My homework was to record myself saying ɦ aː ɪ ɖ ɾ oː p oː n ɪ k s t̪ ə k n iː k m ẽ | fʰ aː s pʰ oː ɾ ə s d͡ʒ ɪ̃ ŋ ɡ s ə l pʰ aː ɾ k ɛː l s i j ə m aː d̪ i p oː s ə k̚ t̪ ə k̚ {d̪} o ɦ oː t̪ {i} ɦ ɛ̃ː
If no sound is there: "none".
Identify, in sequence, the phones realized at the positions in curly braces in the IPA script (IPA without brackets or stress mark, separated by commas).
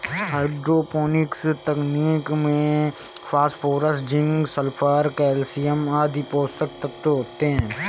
t̪, e